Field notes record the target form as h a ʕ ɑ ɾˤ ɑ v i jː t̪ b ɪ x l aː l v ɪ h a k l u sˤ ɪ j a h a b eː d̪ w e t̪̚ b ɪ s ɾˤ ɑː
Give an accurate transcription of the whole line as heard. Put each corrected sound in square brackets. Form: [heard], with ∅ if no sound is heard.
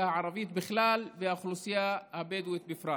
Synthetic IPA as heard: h a ʕ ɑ ɾˤ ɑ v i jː t̪ b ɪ x l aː l v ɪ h a [x] l u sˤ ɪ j a h a b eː d̪ w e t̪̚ b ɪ [f] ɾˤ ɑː

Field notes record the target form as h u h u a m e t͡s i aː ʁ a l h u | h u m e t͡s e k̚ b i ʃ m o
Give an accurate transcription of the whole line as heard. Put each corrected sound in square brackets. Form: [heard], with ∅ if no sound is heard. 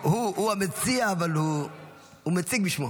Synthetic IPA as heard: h u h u a m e t͡s i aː [v] a l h u | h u m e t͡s [i] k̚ b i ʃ m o

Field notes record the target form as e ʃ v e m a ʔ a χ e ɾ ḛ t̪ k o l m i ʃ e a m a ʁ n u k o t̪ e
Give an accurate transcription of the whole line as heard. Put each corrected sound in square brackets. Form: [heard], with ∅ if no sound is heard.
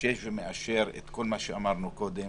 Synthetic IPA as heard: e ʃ v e m [e] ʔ a [ʃ] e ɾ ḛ t̪ k o l m [a] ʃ e a m a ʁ n u k o [d̪] e

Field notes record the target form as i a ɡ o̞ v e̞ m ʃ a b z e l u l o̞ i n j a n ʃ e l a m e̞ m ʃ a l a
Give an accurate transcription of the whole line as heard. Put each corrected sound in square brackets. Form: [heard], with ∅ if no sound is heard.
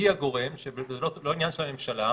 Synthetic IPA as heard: i a ɡ o̞ [ʁ] e̞ m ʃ [e] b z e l [o] l o̞ i n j a n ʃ e l a m e̞ m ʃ a l a

